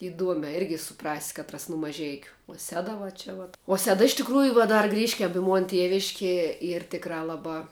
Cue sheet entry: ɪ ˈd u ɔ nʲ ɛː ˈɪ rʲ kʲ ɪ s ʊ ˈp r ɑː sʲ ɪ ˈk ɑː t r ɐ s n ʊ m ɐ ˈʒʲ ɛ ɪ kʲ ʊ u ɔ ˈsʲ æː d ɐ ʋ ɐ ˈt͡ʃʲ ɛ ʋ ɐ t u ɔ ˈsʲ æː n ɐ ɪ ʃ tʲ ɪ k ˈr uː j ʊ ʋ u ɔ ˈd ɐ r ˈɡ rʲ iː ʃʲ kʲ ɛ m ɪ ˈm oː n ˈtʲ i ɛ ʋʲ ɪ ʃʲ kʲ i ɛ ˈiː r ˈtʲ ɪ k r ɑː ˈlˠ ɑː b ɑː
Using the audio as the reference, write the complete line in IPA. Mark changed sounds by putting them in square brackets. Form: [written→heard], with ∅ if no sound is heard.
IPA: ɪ ˈd u ɔ [nʲ→mʲ] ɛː ˈɪ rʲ [kʲ→ɡʲ] ɪ s ʊ ˈp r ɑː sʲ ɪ ˈk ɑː t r ɐ s n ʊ m ɐ ˈʒʲ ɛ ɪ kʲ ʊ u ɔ ˈsʲ æː d ɐ ʋ ɐ ˈt͡ʃʲ ɛ ʋ ɐ t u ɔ ˈsʲ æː [n→d] ɐ ɪ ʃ tʲ ɪ k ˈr uː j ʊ ʋ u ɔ ˈd ɐ r ˈɡ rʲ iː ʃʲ kʲ ɛ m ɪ ˈm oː n ˈtʲ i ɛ ʋʲ ɪ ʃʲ kʲ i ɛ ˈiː r ˈtʲ ɪ k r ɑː ˈlˠ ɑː b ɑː